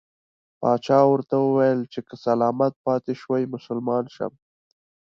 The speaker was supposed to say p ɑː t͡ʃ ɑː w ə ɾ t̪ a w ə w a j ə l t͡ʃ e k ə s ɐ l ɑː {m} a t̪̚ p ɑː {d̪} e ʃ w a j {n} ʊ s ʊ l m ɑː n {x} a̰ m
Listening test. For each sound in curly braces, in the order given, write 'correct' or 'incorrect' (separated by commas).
correct, incorrect, incorrect, incorrect